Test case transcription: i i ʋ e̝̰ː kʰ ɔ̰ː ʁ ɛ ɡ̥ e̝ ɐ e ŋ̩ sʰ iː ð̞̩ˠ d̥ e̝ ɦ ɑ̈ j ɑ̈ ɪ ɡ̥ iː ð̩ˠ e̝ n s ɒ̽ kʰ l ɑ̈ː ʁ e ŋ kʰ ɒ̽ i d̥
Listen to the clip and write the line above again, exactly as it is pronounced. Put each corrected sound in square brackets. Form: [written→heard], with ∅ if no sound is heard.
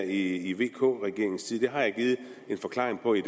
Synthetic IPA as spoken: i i ʋ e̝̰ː kʰ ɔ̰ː ʁ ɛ ɡ̥ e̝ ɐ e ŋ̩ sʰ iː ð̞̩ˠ d̥ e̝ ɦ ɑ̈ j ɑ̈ ɪ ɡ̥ iː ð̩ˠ e̝ n [s→f] ɒ̽ kʰ l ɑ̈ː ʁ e ŋ [kʰ→pʰ] ɒ̽ i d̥